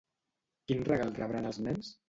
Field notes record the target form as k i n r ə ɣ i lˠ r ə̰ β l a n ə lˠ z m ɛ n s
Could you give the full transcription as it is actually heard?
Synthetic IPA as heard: k i n r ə ɣ a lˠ r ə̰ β ɾ a n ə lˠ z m ɛ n s